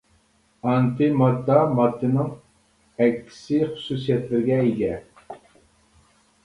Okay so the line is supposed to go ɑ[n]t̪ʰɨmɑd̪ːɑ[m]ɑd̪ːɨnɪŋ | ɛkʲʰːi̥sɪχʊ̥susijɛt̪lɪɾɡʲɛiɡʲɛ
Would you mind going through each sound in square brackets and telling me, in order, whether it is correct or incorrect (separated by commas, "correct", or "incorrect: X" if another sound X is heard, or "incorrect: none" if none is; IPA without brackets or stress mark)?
correct, correct